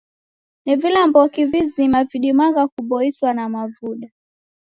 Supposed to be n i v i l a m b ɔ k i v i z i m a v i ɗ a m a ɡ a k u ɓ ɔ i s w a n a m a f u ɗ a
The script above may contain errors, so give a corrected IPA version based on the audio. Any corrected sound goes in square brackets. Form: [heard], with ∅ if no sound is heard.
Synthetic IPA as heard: n i v i l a m b ɔ k i v i z i m a v i ɗ [i] m a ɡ a k u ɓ ɔ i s w a n a m a [v] u ɗ a